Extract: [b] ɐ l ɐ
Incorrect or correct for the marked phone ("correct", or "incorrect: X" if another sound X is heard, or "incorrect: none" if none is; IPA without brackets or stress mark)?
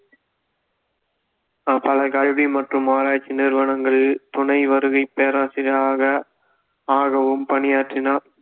incorrect: p